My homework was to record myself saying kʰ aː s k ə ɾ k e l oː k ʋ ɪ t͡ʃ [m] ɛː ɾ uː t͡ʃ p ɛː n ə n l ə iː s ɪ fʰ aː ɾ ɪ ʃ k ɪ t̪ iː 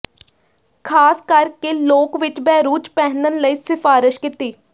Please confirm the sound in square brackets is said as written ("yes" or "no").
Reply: no